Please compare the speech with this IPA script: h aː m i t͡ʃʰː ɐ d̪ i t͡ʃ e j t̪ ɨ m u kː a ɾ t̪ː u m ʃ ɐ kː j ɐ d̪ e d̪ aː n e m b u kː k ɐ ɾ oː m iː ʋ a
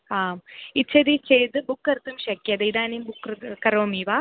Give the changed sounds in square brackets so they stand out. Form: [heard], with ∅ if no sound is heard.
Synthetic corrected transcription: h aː m i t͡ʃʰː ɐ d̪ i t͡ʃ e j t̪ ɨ [b] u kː [ɐ] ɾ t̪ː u m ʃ ɐ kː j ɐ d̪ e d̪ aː n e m b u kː k ɐ ɾ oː m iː ʋ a

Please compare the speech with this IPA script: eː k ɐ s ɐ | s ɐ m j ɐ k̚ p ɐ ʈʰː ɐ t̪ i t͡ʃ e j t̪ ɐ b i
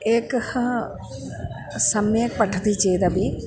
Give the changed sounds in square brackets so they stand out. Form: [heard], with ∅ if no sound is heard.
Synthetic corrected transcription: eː k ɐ [h] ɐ | s ɐ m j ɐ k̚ p ɐ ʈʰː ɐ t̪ i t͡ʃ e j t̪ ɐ b i

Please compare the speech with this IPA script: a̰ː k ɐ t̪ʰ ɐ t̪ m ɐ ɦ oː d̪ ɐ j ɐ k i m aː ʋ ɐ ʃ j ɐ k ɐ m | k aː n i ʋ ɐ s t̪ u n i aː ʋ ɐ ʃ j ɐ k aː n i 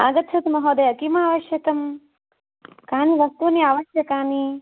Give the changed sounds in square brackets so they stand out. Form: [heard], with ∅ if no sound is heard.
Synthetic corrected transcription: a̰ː [ɡ] ɐ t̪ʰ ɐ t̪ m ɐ ɦ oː d̪ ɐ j ɐ k i m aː ʋ ɐ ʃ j ɐ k ɐ m | k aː n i ʋ ɐ s t̪ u n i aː ʋ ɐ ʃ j ɐ k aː n i

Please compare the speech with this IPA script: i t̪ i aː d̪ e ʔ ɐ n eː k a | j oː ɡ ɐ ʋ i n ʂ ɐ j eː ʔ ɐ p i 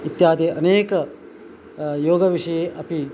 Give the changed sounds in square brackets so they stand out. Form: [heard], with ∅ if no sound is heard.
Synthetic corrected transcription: i t̪ [j] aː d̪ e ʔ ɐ n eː k [ɐ] | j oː ɡ ɐ ʋ i [∅] ʂ ɐ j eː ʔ ɐ p i

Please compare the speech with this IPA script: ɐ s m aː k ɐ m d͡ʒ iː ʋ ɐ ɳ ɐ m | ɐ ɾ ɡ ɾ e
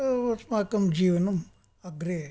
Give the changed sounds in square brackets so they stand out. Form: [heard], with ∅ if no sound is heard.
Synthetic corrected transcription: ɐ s m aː k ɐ m d͡ʒ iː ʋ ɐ [n] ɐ m | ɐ [∅] ɡ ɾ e

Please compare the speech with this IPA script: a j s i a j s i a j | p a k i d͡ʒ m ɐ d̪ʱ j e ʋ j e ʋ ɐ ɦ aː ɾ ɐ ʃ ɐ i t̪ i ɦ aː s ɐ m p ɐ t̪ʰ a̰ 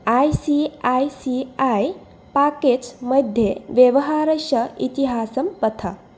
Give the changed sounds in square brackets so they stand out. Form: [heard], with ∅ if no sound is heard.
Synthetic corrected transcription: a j s i a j s i a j | p a k [e] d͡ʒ m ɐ d̪ʱ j e ʋ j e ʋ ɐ ɦ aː ɾ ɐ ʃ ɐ i t̪ i ɦ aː s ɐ m p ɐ t̪ʰ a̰

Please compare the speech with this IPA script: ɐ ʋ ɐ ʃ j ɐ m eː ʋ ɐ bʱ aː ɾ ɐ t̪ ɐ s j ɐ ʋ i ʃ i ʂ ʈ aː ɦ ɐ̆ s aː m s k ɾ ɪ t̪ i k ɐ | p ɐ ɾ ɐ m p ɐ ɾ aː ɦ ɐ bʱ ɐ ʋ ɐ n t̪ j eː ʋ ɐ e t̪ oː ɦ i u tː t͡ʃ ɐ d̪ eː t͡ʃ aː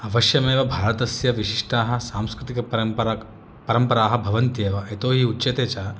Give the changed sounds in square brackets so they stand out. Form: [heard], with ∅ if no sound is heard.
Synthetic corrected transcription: ɐ ʋ ɐ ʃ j ɐ m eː ʋ ɐ bʱ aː ɾ ɐ t̪ ɐ s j ɐ ʋ i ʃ i ʂ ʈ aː ɦ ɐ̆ s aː m s k ɾ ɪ t̪ i k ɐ | p ɐ ɾ ɐ m p ɐ ɾ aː ɦ ɐ bʱ ɐ ʋ ɐ n t̪ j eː ʋ ɐ e t̪ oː ɦ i u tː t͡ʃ ɐ [t̪] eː t͡ʃ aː

